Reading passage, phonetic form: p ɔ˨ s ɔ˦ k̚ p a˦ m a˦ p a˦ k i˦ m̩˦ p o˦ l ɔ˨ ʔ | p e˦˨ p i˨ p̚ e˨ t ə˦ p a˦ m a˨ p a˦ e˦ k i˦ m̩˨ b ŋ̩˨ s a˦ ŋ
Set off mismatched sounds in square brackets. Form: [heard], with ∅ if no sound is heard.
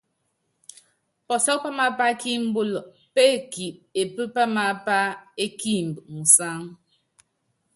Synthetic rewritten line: p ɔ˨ s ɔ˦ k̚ p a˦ m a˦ p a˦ k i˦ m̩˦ [b] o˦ l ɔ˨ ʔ | p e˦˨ [k] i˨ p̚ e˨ [p] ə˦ p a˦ m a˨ p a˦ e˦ k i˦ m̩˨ b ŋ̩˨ s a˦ ŋ